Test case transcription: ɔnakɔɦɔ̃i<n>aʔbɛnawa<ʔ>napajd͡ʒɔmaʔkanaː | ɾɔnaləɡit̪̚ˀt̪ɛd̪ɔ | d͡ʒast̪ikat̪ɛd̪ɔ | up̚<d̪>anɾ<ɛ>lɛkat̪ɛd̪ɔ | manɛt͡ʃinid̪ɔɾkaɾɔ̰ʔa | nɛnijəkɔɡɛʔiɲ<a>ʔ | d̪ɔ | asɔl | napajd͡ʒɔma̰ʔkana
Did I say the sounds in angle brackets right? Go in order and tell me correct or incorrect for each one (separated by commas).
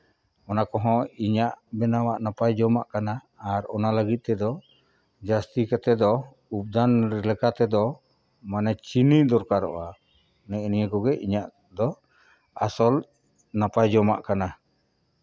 incorrect, correct, correct, correct, correct